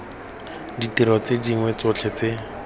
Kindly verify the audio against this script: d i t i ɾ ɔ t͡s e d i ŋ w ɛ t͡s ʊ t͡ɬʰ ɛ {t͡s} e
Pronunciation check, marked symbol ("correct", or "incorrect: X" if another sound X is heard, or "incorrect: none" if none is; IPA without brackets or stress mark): correct